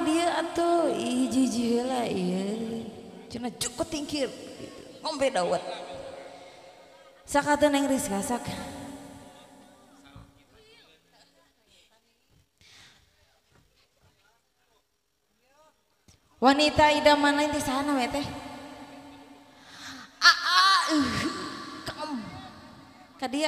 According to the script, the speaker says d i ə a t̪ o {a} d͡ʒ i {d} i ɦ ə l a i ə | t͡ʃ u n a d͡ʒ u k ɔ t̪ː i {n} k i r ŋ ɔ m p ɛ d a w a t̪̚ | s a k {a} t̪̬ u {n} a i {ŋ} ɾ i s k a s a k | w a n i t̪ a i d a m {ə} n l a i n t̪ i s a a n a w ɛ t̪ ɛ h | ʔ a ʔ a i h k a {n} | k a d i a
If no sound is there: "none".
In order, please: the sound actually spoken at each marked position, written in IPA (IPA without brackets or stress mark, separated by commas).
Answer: i, d͡ʒ, ŋ, a, n, ŋ, a, m